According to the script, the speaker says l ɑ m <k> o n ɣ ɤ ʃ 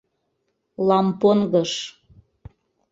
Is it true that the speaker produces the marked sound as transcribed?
no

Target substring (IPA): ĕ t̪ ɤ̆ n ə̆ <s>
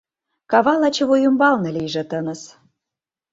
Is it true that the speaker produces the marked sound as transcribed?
yes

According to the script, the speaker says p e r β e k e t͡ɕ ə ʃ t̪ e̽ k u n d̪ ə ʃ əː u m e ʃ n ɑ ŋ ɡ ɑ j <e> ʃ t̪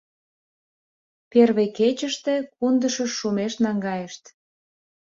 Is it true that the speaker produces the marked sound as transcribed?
yes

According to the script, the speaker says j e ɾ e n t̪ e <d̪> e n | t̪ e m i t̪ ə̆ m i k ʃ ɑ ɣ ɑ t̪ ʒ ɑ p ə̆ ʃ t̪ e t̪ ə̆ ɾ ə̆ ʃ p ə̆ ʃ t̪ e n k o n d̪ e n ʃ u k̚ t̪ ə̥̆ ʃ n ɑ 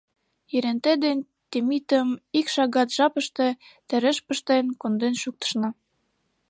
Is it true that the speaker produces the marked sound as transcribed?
yes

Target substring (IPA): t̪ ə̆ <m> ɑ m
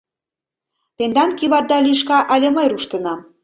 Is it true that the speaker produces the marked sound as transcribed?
no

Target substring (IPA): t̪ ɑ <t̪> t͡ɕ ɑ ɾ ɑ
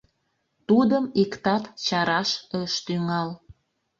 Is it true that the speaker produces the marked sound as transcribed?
yes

